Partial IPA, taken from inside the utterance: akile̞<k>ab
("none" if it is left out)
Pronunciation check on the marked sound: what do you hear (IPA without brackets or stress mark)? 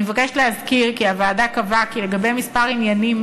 ɡ